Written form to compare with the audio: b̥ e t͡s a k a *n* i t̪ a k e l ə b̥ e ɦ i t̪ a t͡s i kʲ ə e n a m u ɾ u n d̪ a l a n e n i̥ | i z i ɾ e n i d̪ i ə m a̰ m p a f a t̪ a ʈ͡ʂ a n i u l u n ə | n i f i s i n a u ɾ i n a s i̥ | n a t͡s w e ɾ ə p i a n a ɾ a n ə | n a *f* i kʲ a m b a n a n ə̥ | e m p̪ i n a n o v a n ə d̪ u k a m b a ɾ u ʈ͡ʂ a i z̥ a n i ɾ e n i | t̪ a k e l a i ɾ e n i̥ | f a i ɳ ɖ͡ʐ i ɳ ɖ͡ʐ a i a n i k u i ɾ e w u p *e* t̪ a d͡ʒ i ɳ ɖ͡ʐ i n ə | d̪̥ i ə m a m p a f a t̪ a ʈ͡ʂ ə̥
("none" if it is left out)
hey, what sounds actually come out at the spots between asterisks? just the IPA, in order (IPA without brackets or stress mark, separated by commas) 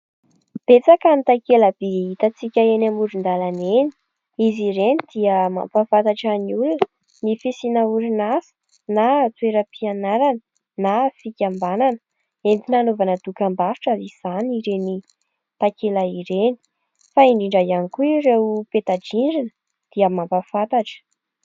n, f, e